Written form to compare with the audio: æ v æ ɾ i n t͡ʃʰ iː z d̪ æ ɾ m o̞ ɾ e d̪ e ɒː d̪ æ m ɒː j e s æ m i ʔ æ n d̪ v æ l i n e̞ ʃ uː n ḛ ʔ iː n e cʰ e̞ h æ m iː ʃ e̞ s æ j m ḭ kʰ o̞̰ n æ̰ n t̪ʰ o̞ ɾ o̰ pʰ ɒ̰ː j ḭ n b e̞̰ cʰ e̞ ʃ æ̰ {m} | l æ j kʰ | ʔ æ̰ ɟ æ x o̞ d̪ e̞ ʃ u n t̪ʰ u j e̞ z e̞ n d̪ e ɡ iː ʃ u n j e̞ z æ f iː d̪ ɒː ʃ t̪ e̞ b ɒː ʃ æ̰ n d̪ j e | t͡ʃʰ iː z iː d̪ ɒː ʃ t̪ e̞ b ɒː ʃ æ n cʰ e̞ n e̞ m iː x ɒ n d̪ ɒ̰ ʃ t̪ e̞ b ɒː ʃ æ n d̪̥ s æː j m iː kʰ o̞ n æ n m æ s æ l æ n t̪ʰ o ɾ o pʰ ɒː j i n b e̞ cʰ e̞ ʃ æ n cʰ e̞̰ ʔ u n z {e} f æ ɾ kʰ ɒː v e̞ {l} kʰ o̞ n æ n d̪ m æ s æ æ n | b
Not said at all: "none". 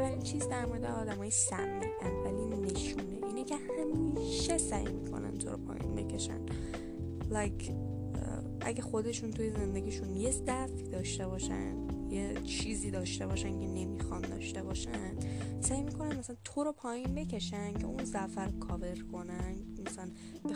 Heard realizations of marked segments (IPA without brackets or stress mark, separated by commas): n, æ, ɾ